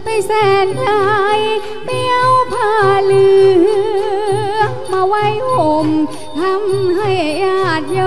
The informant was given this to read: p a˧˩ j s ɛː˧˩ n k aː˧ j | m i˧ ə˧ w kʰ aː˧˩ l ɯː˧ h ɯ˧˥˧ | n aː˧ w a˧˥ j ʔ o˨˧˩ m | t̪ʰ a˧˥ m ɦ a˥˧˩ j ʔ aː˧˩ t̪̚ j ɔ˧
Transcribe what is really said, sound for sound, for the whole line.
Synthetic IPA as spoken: p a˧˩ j s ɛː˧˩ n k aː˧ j | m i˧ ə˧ w pʰ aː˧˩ l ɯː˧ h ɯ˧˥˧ | m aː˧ w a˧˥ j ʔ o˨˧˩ m | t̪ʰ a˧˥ m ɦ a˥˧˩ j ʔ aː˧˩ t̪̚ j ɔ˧